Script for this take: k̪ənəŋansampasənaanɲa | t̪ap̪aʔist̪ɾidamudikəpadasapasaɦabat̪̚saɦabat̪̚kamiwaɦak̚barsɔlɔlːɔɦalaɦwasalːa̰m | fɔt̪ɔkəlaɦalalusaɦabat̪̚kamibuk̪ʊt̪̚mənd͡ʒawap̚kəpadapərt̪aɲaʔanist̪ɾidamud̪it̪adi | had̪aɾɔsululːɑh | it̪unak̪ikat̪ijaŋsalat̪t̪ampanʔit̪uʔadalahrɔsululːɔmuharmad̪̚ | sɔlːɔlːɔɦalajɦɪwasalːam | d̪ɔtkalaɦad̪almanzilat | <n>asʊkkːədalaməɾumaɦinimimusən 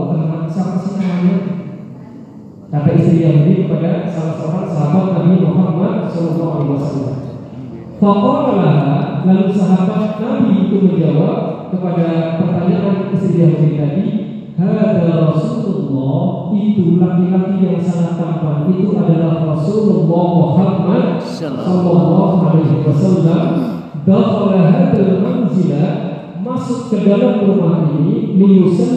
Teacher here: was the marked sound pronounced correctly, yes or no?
no